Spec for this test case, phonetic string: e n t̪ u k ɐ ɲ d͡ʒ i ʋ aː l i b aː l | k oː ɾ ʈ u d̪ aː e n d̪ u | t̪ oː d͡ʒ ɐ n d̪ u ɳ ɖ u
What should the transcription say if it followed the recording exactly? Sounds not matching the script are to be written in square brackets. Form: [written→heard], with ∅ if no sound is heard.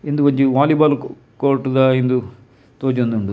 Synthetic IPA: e n [t̪→d̪] u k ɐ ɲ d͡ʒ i ʋ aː l i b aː l | k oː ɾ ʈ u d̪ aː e n d̪ u | t̪ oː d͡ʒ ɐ n d̪ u ɳ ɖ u